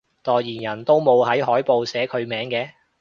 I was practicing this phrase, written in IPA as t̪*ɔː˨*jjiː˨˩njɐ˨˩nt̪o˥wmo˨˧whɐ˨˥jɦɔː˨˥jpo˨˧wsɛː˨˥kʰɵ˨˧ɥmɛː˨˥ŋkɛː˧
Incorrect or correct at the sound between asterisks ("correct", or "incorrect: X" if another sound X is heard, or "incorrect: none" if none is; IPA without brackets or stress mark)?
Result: correct